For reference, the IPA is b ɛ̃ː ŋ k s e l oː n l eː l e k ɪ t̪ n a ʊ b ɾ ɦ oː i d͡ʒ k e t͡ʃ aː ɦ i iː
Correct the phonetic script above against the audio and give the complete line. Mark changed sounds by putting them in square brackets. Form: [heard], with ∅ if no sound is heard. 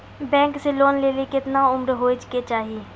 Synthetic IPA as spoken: b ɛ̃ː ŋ k s e l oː n l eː l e k ɪ t̪ n a ʊ [m] ɾ ɦ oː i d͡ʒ k e t͡ʃ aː ɦ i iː